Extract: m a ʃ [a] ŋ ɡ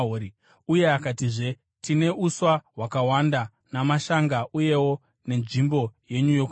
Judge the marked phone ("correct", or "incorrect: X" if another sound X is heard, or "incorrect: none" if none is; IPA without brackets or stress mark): correct